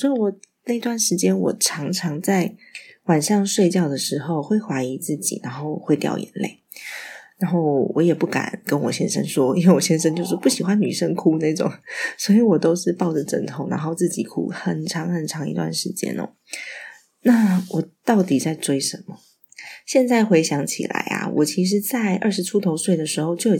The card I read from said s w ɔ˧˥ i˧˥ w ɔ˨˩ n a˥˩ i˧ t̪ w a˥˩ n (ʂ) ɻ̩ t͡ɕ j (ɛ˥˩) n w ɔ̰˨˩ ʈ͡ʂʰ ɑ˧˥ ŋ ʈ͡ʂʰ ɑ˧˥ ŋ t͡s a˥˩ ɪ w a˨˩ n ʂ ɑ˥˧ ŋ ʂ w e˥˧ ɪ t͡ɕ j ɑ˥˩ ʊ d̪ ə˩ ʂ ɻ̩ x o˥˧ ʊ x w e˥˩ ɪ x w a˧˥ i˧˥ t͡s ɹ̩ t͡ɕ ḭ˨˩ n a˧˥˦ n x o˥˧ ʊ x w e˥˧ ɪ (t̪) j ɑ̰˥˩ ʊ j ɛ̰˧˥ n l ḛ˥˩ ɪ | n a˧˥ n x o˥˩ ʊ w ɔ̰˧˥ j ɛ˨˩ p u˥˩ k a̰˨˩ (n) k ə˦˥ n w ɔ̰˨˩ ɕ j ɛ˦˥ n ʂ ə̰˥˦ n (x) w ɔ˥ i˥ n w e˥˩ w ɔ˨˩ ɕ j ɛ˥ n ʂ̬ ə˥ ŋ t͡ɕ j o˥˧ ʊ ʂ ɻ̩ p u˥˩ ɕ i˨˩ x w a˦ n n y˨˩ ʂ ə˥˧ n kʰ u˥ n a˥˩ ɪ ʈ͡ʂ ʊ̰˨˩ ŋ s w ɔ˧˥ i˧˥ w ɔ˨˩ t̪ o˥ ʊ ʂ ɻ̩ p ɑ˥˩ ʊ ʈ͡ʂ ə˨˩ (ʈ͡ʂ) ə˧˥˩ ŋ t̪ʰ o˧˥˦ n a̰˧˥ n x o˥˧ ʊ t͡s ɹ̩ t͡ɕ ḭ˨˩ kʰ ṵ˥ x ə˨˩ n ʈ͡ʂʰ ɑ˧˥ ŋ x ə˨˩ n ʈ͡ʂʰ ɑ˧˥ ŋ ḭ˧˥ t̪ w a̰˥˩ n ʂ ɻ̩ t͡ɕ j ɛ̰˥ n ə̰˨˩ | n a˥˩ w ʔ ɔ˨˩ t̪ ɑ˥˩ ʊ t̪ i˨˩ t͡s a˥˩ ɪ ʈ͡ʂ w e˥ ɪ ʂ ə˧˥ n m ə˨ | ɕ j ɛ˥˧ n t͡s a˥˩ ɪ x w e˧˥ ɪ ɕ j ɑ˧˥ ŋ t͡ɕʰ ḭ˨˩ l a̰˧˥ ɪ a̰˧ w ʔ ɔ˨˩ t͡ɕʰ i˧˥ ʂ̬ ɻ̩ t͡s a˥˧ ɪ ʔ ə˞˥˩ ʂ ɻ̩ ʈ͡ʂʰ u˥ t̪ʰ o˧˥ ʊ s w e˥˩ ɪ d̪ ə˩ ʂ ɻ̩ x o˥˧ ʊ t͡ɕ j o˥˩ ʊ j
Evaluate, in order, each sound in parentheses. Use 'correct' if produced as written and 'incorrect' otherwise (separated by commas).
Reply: correct, incorrect, correct, correct, incorrect, correct